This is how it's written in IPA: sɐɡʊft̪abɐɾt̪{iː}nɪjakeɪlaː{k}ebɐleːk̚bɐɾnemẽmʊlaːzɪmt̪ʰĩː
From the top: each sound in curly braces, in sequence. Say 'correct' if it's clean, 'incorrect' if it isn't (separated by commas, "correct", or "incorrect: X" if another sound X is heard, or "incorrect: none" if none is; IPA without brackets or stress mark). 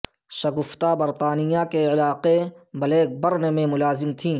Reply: incorrect: aː, incorrect: q